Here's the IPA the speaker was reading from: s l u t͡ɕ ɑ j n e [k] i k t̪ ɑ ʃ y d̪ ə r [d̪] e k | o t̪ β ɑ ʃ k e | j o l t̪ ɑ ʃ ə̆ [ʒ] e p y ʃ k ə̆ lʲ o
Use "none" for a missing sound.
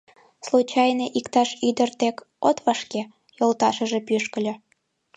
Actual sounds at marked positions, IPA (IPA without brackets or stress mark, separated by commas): ʔ, t̪, ʒ